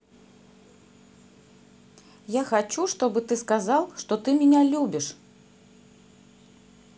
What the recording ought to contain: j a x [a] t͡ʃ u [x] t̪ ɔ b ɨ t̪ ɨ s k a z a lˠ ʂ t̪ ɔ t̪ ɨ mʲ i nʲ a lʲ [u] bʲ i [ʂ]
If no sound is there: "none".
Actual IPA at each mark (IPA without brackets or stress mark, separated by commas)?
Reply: a, ʂ, u, ʂ